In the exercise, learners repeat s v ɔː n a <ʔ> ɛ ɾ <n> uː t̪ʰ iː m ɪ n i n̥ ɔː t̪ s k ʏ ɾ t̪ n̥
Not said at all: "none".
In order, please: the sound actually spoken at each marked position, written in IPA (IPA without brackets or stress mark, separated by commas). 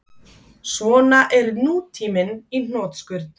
ʔ, n